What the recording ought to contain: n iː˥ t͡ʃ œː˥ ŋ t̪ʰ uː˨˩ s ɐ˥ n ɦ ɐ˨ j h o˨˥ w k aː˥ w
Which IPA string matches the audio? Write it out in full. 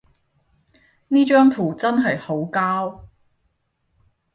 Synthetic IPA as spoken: n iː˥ t͡ʃ œː˥ ŋ t̪ʰ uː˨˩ t͡s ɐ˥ n ɦ ɐ˨ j h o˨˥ w k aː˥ w